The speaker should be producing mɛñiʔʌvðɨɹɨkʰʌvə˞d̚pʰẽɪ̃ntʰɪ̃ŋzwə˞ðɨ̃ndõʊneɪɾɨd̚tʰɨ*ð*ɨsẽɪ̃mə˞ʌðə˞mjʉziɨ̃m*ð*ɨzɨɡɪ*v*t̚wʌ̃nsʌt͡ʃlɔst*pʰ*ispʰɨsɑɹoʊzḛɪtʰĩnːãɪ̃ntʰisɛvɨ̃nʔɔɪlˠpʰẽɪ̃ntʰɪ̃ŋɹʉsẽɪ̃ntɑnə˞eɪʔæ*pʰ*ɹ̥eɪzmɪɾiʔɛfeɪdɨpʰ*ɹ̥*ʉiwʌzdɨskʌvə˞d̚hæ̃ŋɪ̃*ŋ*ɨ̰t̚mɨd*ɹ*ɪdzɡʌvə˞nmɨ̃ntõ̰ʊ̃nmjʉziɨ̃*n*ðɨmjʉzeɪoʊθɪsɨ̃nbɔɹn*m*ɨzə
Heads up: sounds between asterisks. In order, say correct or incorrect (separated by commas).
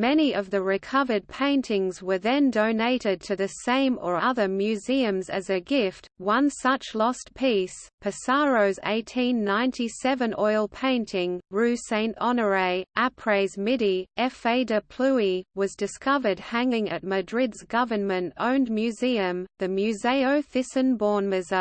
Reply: correct, incorrect, incorrect, correct, correct, incorrect, correct, correct, incorrect, correct